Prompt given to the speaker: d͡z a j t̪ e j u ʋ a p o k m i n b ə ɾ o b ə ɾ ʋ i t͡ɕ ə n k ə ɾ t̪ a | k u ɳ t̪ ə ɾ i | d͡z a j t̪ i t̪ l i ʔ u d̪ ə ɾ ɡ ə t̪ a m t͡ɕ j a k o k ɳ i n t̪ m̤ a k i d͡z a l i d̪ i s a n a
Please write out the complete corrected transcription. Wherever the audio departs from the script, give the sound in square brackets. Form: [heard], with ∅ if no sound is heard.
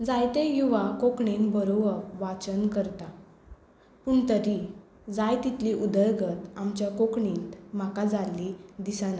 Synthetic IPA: d͡z a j t̪ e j u ʋ a [k] o k [ɳ] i n b ə ɾ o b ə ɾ ʋ [a] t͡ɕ ə n k ə ɾ t̪ a | [p] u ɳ t̪ ə ɾ i | d͡z a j t̪ i t̪ l i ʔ u d̪ ə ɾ ɡ ə t̪ a m t͡ɕ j a k o k ɳ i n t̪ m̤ a k [a] d͡z a l i d̪ i s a n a